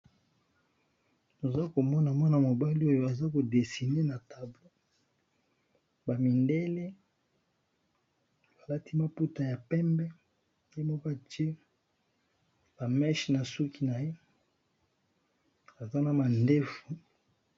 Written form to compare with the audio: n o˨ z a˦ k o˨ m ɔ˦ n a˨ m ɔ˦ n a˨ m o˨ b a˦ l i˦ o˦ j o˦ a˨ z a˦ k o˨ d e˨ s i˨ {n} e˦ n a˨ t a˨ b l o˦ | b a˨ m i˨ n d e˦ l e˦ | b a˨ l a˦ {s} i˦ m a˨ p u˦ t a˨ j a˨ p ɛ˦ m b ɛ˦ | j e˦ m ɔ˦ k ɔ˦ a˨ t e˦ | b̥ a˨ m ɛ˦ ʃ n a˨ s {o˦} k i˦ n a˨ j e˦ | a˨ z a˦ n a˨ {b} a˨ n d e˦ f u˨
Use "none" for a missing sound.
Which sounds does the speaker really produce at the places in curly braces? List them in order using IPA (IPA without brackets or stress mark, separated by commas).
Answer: n, t, u˦, m